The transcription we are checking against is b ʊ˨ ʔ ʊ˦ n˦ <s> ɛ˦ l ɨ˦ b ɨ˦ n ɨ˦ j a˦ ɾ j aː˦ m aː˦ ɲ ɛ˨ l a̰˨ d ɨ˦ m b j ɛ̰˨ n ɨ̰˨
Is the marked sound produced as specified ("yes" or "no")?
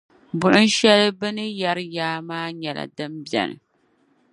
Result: no